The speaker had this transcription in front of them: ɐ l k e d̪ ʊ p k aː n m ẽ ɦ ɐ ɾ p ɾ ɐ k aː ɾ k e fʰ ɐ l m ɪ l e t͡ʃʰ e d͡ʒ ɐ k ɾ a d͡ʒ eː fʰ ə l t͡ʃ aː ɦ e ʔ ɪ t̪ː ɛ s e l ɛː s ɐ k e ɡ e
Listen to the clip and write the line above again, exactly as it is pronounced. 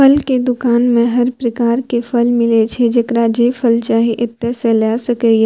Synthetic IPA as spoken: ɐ l k e d̪ ʊ k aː n m ẽ ɦ ɐ ɾ p ɾ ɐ k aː ɾ k e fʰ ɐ l m ɪ l e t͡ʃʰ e d͡ʒ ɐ k ɾ a d͡ʒ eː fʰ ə l t͡ʃ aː ɦ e ʔ ɪ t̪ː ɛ s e l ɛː s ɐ k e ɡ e